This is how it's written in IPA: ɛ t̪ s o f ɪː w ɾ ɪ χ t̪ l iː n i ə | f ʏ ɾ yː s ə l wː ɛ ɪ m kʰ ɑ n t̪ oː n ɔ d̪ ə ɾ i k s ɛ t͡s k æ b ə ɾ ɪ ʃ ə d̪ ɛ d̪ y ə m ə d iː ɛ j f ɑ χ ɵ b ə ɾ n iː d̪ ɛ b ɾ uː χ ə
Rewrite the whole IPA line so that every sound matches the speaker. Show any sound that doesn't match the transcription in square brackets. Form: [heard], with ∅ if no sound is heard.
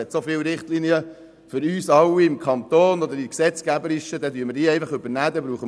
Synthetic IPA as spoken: ɛ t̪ s o f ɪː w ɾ ɪ χ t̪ l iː n i ə | f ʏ ɾ yː s [ɑ] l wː [i] ɪ m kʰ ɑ n t̪ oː n ɔ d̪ ə ɾ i k s ɛ t͡s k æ b ə ɾ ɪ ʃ ə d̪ ɛ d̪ y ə m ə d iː ɛ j f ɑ χ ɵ b ə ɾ n [æː] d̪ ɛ b ɾ uː χ ə